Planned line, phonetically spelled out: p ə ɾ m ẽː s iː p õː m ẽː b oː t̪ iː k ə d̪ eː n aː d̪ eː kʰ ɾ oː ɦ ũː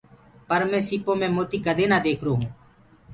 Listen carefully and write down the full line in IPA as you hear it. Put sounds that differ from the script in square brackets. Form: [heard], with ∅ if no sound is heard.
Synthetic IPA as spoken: p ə ɾ m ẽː s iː p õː m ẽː [m] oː t̪ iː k ə d̪ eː n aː d̪ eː kʰ ɾ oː ɦ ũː

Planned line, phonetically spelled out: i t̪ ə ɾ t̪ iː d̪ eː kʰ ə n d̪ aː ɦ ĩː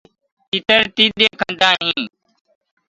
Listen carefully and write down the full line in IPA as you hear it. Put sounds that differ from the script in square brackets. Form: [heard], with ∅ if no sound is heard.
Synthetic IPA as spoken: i t̪ ə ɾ t̪ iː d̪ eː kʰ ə n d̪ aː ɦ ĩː

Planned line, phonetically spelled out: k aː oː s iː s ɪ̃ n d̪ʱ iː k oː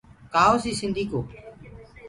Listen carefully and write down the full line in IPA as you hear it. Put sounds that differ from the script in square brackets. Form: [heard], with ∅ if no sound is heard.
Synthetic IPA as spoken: k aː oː s iː s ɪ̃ n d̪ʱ iː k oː

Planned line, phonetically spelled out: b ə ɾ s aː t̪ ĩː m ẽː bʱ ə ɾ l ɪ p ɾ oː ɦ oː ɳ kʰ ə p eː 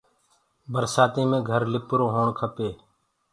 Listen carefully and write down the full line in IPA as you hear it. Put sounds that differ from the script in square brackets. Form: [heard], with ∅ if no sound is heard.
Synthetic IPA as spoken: b ə ɾ s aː t̪ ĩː m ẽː [ɡʱ] ə ɾ l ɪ p ɾ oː ɦ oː ɳ kʰ ə p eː

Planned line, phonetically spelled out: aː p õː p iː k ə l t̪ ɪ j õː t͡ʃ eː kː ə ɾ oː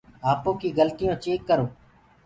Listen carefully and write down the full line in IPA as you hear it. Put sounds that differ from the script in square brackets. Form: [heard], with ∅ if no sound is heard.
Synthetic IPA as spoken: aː p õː [k] iː [ɡ] ə l t̪ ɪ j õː t͡ʃ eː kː ə ɾ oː

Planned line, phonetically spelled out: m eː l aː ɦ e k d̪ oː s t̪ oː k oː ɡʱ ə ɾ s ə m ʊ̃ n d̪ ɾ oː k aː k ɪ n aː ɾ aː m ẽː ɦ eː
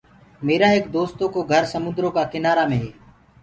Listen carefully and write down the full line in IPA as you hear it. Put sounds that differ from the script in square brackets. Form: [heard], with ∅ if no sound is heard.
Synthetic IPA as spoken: m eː [ɾ] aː ɦ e k d̪ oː s t̪ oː k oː ɡʱ ə ɾ s ə m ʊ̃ n d̪ ɾ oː k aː k ɪ n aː ɾ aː m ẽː ɦ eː

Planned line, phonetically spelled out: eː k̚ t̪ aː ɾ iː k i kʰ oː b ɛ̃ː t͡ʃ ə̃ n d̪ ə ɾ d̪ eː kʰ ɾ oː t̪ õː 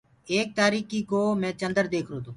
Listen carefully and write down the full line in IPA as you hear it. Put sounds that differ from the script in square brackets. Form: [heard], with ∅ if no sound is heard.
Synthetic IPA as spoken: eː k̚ t̪ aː ɾ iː k i [k] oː [m] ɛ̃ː t͡ʃ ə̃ n d̪ ə ɾ d̪ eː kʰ ɾ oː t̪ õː

